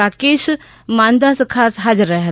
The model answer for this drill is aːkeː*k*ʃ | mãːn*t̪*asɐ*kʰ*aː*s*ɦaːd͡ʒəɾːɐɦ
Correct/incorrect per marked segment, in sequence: incorrect: none, incorrect: d̪, correct, correct

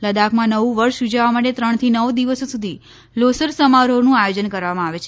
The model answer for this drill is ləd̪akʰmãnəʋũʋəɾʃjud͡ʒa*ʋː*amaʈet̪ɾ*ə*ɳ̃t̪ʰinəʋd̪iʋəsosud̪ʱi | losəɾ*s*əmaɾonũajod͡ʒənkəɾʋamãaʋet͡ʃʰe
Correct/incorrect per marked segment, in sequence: incorrect: ʋ, correct, correct

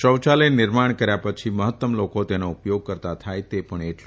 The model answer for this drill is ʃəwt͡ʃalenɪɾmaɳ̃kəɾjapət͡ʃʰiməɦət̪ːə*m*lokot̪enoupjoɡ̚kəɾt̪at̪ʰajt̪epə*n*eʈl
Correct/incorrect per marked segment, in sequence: correct, incorrect: ɳ

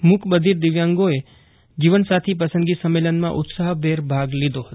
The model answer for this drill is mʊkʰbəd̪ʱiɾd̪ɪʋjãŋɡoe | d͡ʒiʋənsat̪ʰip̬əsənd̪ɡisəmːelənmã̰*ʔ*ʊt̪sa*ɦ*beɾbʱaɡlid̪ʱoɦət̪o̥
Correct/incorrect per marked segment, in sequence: correct, correct

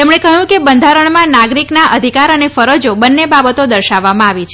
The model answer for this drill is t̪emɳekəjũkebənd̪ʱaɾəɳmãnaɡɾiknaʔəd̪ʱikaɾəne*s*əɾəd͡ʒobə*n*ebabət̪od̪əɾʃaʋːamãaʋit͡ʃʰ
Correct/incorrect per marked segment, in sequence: incorrect: f, incorrect: nː

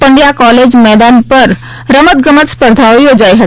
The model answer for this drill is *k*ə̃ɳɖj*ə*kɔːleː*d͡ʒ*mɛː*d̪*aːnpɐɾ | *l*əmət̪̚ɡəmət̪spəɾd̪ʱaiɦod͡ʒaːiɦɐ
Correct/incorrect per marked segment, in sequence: incorrect: p, incorrect: a, correct, correct, incorrect: ɾ

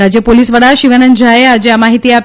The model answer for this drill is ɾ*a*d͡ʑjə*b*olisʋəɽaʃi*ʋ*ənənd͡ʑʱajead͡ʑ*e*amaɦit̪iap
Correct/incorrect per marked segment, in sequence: correct, incorrect: p, correct, correct

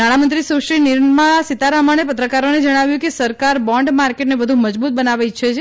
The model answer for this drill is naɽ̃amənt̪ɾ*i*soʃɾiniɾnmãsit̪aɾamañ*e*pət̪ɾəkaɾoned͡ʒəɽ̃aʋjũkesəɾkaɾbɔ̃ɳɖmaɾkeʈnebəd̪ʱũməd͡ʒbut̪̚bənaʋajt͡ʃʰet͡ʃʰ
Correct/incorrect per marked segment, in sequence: correct, correct

